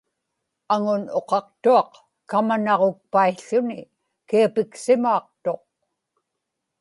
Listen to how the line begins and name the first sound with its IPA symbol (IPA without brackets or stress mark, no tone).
a